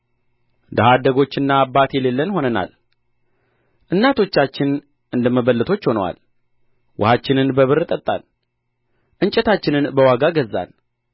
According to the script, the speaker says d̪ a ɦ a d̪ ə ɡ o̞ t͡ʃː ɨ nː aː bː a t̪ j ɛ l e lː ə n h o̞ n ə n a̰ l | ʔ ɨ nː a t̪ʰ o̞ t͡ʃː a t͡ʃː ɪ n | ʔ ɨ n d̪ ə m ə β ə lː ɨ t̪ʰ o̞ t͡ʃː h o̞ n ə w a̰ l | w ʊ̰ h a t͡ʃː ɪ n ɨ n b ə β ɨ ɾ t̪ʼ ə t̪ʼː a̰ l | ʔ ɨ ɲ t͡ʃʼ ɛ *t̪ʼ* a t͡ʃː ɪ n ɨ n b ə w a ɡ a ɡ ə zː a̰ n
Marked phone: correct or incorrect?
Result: incorrect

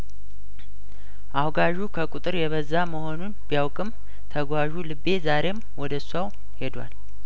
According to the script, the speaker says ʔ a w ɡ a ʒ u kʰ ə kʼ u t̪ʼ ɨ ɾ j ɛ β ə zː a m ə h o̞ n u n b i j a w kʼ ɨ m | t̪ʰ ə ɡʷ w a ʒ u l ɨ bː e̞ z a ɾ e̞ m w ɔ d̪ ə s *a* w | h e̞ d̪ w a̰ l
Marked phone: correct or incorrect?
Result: correct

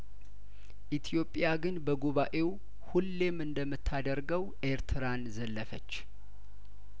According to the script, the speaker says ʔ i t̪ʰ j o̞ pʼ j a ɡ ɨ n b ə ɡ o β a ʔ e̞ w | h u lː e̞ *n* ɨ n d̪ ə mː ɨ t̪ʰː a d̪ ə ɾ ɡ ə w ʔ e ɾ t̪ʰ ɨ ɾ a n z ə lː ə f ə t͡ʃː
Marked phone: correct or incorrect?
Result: incorrect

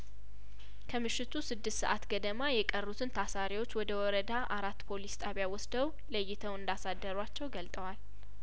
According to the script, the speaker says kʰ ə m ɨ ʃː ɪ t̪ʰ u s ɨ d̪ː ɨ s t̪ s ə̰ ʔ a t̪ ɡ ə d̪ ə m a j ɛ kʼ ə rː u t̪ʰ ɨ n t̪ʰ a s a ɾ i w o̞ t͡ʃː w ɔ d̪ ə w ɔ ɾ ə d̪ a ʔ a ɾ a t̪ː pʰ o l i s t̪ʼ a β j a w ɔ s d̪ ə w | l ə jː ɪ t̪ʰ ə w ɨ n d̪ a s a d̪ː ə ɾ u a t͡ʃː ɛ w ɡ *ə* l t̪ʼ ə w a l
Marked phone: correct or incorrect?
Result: correct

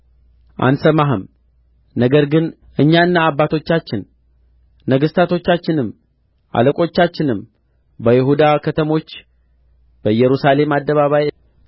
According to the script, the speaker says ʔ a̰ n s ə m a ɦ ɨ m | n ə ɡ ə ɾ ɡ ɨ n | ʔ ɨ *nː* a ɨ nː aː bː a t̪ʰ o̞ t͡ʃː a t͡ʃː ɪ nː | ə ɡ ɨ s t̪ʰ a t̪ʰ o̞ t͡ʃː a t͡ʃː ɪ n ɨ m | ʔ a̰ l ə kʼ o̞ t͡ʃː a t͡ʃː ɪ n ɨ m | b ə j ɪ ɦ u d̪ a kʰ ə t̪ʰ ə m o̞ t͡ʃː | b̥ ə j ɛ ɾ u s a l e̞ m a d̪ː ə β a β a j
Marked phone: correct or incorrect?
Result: incorrect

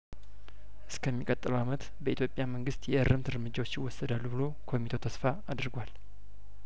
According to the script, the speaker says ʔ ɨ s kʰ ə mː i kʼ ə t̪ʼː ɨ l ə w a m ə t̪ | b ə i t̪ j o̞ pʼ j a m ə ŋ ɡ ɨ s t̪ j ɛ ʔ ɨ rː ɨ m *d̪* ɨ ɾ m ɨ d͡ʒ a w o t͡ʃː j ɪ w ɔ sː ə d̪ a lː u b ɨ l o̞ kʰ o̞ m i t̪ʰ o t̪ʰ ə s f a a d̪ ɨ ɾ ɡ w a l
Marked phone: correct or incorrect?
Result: incorrect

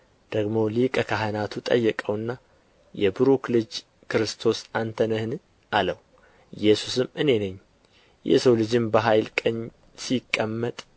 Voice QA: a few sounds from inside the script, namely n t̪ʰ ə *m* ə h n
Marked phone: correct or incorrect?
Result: incorrect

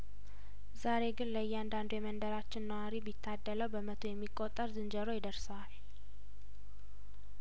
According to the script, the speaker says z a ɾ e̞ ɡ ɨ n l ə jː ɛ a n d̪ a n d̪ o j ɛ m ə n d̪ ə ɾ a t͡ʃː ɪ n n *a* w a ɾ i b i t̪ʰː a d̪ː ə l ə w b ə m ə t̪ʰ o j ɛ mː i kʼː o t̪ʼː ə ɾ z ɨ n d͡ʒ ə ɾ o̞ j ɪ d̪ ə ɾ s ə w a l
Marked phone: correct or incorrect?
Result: incorrect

